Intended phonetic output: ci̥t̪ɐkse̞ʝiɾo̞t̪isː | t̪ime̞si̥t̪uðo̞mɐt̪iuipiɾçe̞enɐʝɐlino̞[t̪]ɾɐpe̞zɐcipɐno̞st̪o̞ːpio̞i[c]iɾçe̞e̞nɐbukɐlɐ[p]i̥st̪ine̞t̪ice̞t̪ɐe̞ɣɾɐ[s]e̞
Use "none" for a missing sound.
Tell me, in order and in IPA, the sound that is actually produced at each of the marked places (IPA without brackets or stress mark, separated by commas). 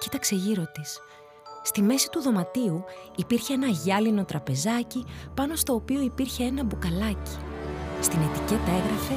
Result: t̪, p, c, f